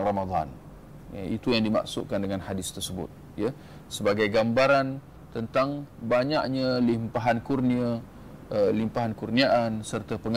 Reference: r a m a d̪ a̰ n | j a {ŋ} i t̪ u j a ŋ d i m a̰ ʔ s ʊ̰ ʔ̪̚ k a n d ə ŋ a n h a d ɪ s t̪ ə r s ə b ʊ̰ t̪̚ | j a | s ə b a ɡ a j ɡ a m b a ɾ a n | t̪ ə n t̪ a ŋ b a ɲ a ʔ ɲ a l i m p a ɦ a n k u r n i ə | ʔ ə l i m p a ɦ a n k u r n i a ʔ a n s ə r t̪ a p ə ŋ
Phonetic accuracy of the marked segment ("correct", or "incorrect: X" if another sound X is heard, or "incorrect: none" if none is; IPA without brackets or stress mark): incorrect: none